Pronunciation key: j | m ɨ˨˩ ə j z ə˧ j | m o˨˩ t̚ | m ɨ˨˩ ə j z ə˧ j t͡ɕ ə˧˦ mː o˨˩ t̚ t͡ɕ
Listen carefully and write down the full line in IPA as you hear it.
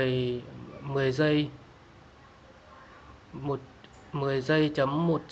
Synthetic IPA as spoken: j | m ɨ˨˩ ə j z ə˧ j | m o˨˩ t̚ | m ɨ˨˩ ə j z ə˧ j t͡ɕ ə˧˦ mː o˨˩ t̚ t͡ɕ